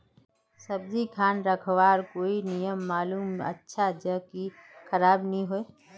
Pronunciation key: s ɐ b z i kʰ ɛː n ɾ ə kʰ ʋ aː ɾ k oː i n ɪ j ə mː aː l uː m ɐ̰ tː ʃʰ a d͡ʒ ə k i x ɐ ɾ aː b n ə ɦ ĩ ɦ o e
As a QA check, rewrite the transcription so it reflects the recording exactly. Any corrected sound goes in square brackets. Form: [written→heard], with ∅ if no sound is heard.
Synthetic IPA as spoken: s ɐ b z i kʰ [ɛː→aː] n ɾ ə kʰ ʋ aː ɾ k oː i n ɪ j ə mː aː l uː m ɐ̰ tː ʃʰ a d͡ʒ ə k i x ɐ ɾ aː b n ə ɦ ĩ ɦ o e

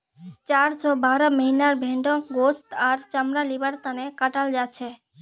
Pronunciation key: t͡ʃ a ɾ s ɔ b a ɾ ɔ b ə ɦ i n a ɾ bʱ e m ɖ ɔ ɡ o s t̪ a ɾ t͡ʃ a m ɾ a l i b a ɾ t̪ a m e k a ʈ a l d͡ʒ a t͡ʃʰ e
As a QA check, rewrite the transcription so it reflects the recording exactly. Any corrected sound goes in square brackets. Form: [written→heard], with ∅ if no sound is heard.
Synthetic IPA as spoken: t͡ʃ a ɾ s ɔ b a ɾ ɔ [b→m] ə ɦ i n a ɾ bʱ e [m→ɳ] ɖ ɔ ɡ o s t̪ a ɾ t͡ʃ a m ɾ a l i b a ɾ t̪ a [m→n] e k a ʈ a l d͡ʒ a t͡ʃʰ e

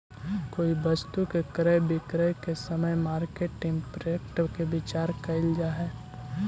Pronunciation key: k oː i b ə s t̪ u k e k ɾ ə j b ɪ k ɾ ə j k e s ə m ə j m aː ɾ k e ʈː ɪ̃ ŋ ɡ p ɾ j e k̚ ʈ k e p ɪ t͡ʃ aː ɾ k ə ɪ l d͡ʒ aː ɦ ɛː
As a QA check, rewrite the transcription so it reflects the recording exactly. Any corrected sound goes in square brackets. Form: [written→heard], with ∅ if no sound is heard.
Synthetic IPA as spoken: k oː i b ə s t̪ u k e k ɾ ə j b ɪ k ɾ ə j k e s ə m ə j m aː ɾ k e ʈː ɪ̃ ŋ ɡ p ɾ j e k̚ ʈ k e [p→b] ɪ t͡ʃ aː ɾ k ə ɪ l d͡ʒ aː ɦ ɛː

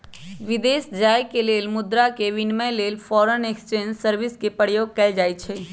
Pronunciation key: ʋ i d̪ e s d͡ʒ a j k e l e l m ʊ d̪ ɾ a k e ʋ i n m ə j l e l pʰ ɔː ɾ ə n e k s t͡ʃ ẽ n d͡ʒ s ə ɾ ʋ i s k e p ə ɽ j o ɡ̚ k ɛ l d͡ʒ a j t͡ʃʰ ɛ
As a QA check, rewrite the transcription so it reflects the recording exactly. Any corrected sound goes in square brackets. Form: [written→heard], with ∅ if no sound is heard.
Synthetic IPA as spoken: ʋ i d̪ e s d͡ʒ a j k e l e l m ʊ d̪ ɾ a k e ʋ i n m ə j l e l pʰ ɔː ɾ ə n e k s t͡ʃ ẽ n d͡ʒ s ə ɾ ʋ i s k e p ə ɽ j o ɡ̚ k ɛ l d͡ʒ a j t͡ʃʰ ɛ

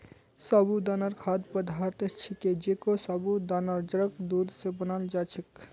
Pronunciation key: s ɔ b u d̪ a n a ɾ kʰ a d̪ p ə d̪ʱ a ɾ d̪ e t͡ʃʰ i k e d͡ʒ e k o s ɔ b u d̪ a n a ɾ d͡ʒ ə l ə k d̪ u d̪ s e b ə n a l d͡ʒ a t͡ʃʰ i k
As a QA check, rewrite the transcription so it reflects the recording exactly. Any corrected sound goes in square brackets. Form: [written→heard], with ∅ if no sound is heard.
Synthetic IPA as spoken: s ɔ b u d̪ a n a ɾ kʰ a d̪ p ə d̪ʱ a ɾ [d̪→t̪] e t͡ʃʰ i k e d͡ʒ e k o s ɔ b u d̪ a n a ɾ d͡ʒ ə [l→ɾ] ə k d̪ u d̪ s e b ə n a l d͡ʒ a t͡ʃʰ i k

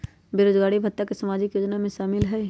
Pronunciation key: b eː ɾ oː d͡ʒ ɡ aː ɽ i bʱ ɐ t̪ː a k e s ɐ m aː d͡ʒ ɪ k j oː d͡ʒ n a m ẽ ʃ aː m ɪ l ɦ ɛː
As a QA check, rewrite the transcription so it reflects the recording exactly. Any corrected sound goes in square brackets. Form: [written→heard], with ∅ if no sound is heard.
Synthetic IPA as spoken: b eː ɾ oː d͡ʒ ɡ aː ɽ i bʱ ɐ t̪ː a k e s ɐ m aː d͡ʒ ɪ k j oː d͡ʒ n a m ẽ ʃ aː m ɪ l ɦ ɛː

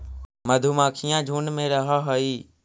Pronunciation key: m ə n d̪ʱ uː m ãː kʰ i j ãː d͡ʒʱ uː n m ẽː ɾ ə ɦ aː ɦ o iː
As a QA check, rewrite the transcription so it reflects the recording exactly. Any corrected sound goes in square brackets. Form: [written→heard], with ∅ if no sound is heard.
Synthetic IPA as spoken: m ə [n→∅] d̪ʱ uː m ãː kʰ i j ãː d͡ʒʱ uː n m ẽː ɾ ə ɦ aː ɦ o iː

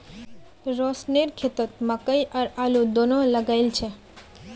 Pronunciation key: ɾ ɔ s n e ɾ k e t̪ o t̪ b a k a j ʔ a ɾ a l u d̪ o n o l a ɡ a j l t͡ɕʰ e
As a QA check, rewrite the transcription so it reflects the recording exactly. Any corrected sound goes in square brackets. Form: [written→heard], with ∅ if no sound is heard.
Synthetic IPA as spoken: ɾ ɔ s n e ɾ [k→kʰ] e t̪ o t̪ [b→m] a k a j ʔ a ɾ a l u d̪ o n o l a ɡ a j l t͡ɕʰ e

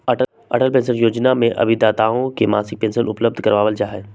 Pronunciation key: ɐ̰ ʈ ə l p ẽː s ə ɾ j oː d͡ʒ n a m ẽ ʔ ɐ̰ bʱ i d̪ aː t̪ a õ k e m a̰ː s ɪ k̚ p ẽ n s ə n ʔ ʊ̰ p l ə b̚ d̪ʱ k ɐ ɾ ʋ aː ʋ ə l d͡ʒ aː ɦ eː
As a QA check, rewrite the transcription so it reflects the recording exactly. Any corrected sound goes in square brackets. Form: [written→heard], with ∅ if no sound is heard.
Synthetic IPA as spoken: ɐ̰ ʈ ə l p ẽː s ə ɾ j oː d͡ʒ n a m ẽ ʔ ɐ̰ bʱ i d̪ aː t̪ a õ k e m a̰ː s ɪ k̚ p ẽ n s ə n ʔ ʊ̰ p l ə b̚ d̪ʱ k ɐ ɾ ʋ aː ʋ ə l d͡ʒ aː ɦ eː

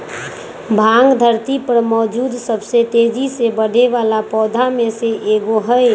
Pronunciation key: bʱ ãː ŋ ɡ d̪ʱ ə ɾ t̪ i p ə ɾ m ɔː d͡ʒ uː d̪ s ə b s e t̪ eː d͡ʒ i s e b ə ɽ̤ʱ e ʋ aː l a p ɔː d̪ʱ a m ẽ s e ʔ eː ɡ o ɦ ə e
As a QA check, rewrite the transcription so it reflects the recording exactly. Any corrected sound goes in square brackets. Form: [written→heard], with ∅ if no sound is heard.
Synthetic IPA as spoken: bʱ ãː ŋ ɡ d̪ʱ ə ɾ t̪ i p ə ɾ m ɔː d͡ʒ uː d̪ s ə b s e t̪ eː d͡ʒ i s e b ə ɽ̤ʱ e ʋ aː l a p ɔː d̪ʱ a m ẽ s e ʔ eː ɡ o ɦ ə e

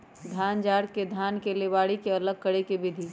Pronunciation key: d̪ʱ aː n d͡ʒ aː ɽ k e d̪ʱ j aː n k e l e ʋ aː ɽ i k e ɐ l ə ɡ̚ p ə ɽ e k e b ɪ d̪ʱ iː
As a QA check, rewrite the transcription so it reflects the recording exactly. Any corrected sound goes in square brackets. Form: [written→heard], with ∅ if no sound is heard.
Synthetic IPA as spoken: d̪ʱ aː n d͡ʒ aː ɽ k e d̪ʱ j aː n k e l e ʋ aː ɽ i k e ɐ l ə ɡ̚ [p→k] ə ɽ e k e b ɪ d̪ʱ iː

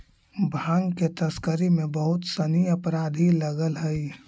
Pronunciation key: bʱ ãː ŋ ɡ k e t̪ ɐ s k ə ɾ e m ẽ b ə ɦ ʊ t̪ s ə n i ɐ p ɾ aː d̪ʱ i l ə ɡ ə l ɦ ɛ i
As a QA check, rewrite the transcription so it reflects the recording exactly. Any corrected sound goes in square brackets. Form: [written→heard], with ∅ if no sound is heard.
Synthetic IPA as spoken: bʱ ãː ŋ ɡ k e t̪ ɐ s k ə ɾ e m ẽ b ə ɦ ʊ t̪ s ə n i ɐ p ɾ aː d̪ʱ i l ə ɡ ə l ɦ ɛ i

